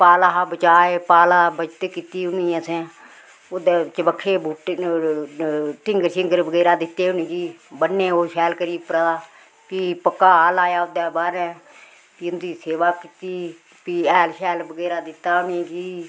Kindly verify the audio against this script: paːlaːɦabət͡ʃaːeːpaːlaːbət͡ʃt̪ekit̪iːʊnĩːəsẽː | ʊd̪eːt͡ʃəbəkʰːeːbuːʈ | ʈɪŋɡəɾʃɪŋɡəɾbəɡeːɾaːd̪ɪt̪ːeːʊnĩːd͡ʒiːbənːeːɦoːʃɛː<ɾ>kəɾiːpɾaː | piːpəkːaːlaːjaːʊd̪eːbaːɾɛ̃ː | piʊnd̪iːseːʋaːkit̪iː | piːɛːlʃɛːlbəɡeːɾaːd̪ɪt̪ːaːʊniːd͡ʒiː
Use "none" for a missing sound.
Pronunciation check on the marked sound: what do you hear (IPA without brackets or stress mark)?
l